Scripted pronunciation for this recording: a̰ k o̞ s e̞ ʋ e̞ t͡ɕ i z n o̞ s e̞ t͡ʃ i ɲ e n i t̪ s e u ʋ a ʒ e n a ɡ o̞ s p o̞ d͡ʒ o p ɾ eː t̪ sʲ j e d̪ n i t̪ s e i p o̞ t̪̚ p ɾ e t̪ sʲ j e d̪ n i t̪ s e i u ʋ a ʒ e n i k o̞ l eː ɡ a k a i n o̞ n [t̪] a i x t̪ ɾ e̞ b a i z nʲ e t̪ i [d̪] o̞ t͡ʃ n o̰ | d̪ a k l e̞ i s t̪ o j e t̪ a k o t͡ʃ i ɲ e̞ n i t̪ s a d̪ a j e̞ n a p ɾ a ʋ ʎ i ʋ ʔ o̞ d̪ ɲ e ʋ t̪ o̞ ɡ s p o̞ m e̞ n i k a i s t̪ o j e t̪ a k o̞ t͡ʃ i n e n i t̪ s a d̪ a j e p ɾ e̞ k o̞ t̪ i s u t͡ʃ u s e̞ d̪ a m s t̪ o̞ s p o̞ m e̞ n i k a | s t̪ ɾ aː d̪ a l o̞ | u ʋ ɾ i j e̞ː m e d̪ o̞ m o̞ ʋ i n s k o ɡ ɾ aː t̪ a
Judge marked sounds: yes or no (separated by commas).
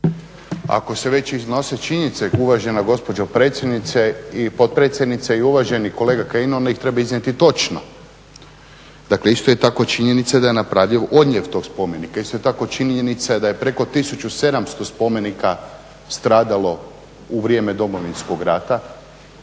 no, no